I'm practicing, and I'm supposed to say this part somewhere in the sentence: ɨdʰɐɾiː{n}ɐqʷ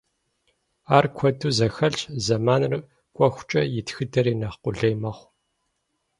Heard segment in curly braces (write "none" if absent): n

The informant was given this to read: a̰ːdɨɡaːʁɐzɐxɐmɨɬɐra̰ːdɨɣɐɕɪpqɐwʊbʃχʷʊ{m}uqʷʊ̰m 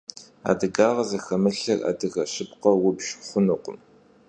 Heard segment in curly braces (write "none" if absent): n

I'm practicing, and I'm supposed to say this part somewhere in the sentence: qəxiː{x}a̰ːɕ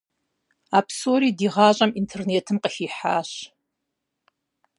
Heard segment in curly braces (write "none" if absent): ħ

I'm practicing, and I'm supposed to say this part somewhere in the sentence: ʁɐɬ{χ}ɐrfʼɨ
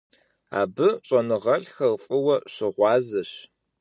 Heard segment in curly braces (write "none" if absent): x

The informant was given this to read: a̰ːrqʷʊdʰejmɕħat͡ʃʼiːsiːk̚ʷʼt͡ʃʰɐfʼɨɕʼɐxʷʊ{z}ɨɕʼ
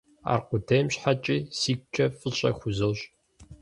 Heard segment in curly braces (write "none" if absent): z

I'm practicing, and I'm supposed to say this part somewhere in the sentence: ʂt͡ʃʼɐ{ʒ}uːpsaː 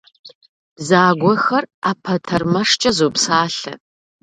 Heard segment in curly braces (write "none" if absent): z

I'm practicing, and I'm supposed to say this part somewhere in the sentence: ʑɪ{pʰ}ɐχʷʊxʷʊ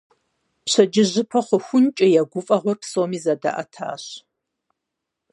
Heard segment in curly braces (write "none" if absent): pʰ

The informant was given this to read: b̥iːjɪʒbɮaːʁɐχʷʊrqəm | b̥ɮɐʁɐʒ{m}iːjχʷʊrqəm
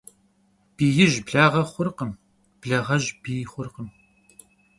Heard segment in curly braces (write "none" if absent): b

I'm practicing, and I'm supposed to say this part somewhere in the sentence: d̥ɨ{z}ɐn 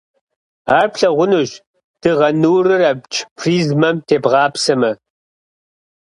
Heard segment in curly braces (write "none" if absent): ʁ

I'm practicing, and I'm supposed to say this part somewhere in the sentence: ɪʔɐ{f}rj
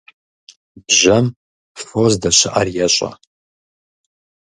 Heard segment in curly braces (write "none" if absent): none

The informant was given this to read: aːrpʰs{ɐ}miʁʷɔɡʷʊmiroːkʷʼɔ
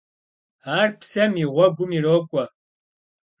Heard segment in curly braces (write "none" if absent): ɐ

